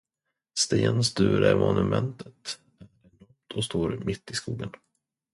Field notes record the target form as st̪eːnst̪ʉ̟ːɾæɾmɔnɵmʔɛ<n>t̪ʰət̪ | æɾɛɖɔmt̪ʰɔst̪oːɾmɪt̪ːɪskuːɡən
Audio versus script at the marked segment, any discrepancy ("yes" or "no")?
no